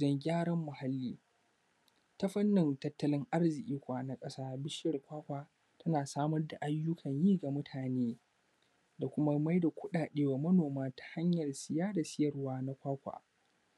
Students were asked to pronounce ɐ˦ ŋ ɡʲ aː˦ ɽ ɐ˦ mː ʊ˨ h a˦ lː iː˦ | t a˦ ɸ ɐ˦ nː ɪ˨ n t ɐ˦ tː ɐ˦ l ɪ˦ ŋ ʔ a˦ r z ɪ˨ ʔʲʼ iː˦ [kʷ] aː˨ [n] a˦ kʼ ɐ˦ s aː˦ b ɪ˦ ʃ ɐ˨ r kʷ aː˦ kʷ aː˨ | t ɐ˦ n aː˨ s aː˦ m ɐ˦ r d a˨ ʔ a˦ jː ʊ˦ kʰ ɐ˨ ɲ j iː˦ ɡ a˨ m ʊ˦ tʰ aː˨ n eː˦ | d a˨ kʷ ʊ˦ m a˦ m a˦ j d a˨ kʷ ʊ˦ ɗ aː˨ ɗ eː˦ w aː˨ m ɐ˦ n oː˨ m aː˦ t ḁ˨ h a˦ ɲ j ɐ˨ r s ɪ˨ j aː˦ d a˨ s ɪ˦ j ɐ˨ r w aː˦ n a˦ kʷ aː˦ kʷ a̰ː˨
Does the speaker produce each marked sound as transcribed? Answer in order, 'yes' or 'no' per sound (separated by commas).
yes, yes